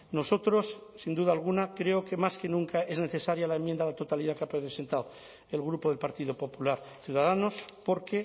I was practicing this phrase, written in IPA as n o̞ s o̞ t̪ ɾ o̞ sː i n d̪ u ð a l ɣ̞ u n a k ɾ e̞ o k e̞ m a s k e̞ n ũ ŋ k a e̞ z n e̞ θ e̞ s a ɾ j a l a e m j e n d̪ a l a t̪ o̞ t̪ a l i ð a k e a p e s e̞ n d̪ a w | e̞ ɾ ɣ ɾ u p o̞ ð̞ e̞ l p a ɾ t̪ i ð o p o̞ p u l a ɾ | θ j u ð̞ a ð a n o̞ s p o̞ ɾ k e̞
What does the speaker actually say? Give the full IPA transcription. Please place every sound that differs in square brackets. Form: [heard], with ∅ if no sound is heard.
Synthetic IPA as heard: n o̞ s o̞ t̪ ɾ o̞ sː i n d̪ u ð a l ɣ̞ u n a k ɾ e̞ o k e̞ m a s k e̞ n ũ ŋ k a e̞ z n e̞ θ e̞ s a ɾ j a l a e m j e n d̪ a l a t̪ o̞ t̪ a l i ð a k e a p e s e̞ n [t̪] a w | e̞ [l] ɣ ɾ u p o̞ ð̞ e̞ l p a ɾ t̪ i ð o p o̞ p u l a ɾ | θ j u ð̞ a ð a n o̞ s p o̞ ɾ k e̞